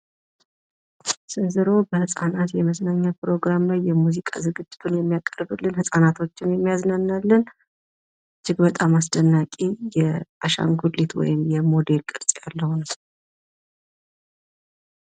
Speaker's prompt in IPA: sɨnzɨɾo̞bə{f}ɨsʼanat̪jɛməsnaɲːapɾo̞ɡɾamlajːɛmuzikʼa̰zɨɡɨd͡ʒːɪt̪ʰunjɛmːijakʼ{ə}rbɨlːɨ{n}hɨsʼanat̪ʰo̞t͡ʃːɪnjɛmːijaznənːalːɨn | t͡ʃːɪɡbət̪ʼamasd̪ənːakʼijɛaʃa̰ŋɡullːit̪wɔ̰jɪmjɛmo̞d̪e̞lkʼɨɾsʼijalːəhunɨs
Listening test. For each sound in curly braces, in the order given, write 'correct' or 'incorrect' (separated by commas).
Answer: incorrect, correct, correct